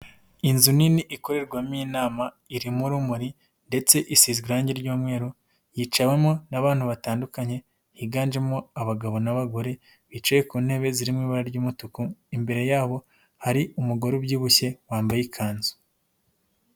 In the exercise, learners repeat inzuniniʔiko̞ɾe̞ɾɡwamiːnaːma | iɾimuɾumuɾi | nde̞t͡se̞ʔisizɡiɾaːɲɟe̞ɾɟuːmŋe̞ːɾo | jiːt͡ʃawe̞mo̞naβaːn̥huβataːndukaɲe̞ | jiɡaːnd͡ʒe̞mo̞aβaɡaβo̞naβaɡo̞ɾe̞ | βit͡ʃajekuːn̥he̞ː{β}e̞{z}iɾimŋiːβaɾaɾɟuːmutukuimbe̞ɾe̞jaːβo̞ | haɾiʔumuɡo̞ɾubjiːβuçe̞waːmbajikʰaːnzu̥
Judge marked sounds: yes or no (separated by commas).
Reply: yes, yes